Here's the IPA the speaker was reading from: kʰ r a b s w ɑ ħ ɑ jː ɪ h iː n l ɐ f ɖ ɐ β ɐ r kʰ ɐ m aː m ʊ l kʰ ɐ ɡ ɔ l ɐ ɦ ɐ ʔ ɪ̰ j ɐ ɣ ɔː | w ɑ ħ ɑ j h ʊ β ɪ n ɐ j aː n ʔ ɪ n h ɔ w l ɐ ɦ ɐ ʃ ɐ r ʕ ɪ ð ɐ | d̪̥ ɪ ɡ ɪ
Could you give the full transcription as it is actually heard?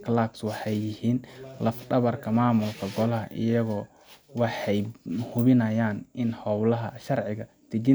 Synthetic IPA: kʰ l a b s w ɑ ħ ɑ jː ɪ h iː n l ɐ f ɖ ɐ β ɐ r kʰ ɐ m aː m ʊ l kʰ ɐ ɡ ɔ l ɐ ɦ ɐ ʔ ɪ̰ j ɐ ɣ ɔː | w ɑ ħ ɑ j h ʊ β ɪ n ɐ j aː n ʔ ɪ n h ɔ w l ɐ ɦ ɐ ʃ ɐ r ʕ ɪ ɣ ɐ | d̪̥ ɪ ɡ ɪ

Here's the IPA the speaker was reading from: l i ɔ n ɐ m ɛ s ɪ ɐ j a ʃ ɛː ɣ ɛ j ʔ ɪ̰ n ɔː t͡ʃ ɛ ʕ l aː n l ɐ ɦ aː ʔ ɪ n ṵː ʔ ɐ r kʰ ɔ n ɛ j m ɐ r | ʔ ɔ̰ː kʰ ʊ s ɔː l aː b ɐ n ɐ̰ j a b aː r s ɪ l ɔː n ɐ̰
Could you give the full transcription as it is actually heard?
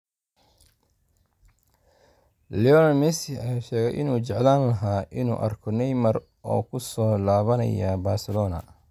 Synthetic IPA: l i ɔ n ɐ m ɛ s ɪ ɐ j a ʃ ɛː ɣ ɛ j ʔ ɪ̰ n uː t͡ʃ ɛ ʕ l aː n l ɐ ɦ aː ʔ ɪ n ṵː ʔ ɐ r kʰ ɔ n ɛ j m ɐ r | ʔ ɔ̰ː kʰ ʊ s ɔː l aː β ɐ n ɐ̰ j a b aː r s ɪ l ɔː n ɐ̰

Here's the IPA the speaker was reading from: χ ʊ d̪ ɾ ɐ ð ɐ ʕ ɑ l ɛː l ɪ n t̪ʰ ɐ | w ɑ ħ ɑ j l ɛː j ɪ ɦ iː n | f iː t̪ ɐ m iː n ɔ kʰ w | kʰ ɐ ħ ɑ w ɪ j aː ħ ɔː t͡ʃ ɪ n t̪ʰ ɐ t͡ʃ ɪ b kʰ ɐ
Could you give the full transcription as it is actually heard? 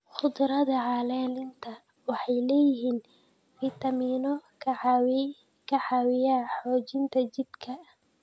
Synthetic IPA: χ ʊ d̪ ɾ ɐ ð ɐ ʕ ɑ l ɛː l ɪ n t̪ʰ ɐ | w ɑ ħ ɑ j l ɛː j ɪ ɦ iː n | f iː t̪ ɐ m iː n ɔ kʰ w | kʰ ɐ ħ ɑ w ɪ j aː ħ ɔː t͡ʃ ɪ n t̪ʰ ɐ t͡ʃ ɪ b kʰ ɐ

